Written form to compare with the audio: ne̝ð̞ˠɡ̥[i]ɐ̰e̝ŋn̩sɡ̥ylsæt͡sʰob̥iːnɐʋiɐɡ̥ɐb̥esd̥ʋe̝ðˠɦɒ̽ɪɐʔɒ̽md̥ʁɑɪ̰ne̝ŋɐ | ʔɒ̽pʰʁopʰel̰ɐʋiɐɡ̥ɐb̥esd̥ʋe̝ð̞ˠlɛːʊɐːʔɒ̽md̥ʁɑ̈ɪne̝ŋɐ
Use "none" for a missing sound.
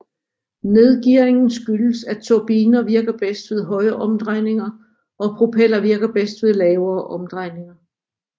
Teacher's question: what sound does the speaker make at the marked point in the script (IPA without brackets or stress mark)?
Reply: i